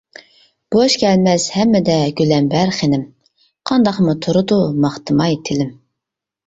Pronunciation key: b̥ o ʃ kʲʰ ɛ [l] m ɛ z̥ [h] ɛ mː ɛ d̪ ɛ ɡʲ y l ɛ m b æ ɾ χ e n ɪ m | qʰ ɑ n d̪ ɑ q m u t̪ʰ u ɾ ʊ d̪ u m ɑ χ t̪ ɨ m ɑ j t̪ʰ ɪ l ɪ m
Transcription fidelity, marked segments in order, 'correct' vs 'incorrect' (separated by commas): correct, correct